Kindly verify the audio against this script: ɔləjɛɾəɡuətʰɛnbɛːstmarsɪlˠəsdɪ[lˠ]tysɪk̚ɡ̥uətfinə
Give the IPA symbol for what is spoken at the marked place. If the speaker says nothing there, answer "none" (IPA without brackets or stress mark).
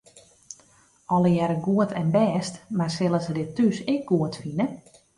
none